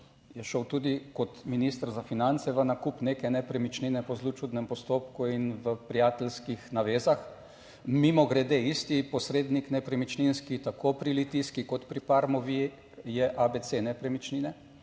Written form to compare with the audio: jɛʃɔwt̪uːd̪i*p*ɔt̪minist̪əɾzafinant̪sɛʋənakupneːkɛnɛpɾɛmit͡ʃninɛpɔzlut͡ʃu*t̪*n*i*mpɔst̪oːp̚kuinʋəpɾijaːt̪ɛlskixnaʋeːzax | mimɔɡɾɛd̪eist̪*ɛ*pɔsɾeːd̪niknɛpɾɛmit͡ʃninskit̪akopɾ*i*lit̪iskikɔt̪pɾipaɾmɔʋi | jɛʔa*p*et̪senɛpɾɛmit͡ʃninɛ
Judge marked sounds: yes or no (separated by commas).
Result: no, no, no, no, yes, no